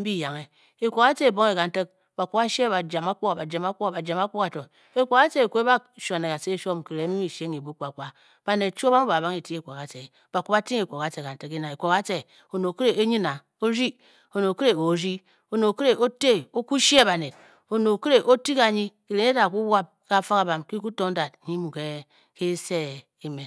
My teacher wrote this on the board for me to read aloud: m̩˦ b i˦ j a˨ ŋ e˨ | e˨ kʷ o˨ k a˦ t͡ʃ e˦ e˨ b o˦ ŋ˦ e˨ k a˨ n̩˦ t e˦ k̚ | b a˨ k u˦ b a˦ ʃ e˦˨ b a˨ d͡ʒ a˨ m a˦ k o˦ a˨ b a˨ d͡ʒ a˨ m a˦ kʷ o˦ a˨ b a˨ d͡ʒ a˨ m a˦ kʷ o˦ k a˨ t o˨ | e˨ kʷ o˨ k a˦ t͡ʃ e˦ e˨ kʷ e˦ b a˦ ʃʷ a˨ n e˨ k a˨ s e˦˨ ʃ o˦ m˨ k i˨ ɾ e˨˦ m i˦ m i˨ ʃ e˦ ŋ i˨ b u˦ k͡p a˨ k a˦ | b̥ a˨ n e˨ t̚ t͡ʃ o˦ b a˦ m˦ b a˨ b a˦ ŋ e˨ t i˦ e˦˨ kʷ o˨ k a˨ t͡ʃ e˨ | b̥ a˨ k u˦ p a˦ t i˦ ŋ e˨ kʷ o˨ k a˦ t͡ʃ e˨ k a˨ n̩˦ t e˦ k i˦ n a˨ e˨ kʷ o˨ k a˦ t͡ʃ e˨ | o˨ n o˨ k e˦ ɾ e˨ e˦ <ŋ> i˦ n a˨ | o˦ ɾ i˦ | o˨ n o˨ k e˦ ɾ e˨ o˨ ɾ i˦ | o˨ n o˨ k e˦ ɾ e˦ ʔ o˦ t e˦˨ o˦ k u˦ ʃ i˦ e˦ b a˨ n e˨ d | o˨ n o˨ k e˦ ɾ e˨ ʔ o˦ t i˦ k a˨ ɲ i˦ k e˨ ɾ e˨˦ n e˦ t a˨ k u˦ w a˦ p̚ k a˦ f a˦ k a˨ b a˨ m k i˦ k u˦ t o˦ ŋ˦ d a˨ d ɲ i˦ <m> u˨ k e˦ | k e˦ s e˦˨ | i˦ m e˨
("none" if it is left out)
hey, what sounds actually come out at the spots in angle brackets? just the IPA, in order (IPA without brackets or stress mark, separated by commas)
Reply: ɲ, m